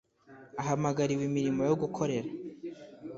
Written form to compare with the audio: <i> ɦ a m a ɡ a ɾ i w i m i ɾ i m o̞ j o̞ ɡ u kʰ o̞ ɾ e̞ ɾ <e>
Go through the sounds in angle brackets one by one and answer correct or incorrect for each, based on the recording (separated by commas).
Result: incorrect, incorrect